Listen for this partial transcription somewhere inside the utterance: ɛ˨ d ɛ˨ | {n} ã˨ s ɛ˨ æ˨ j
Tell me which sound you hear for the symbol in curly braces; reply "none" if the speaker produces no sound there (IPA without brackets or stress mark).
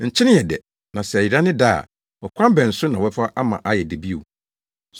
n